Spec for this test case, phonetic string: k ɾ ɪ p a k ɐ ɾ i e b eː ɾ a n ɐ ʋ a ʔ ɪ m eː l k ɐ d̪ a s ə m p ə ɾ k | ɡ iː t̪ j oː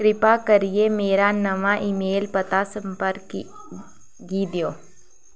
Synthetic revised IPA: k ɾ ɪ p a k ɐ ɾ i e m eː ɾ a n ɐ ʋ a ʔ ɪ m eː l p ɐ t̪ a s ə m p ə ɾ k | ɡ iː d̪ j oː